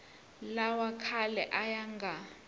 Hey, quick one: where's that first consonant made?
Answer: tongue tip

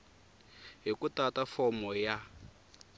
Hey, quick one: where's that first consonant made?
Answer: throat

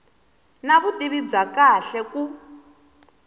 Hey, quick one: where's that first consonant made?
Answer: tongue tip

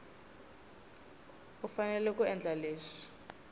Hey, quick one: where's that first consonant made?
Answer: lips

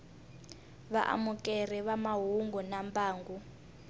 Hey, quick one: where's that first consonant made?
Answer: lips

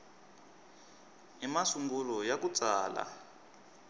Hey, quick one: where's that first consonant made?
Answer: lips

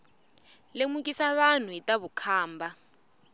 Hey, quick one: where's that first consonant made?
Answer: tongue tip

